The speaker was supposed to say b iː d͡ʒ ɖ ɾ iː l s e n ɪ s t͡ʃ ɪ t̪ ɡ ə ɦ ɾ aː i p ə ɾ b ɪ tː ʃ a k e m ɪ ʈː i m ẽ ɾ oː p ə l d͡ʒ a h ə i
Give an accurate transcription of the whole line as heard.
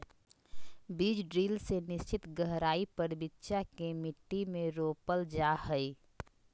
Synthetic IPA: b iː d͡ʒ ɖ ɾ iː l s e n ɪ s t͡ʃ ɪ t̪ ɡ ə ɦ ɾ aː i p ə ɾ b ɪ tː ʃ a k e m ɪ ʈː i m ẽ ɾ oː p ə l d͡ʒ a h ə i